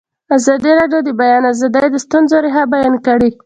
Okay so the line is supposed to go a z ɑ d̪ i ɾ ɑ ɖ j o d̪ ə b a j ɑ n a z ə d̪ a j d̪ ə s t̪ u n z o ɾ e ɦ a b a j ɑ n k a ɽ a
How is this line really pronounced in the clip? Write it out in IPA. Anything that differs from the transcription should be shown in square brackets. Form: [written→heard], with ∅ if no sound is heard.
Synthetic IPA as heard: a z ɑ d̪ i ɾ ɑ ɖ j o d̪ ə b a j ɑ n a z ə d̪ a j d̪ ə s t̪ u n z o ɾ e ɦ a b a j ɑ n k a ɽ [a→i]